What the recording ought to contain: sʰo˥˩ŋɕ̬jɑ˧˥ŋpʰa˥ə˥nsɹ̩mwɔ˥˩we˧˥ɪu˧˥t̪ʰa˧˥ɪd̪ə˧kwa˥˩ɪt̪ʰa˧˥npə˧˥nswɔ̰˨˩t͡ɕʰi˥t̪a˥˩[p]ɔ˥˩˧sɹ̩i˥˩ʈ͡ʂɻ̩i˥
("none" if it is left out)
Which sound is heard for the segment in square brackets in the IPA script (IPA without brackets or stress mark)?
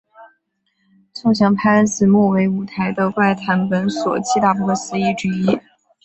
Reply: p